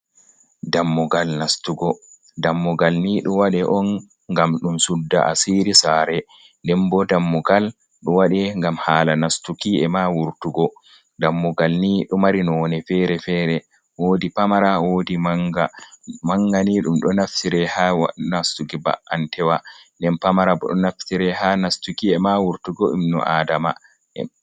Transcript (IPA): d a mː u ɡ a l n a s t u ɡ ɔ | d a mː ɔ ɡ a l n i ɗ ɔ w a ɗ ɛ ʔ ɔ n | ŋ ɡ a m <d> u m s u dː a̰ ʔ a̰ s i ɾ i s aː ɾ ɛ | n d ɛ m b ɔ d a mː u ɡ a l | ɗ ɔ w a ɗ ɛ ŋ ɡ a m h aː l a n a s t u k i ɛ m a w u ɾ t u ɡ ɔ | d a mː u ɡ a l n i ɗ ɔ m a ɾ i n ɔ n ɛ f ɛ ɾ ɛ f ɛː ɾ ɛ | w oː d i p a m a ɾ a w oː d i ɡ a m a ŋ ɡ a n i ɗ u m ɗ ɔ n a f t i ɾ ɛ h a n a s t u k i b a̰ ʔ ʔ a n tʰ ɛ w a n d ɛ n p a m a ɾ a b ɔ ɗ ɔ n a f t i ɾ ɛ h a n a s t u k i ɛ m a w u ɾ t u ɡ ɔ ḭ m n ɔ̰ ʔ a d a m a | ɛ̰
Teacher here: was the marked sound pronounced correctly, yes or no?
no